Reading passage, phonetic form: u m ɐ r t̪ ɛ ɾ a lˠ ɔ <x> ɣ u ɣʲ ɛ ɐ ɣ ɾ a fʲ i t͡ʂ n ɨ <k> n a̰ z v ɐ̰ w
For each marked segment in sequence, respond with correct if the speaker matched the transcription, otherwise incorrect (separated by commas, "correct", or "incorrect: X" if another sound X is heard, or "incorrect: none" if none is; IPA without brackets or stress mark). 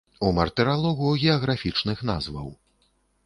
incorrect: none, incorrect: x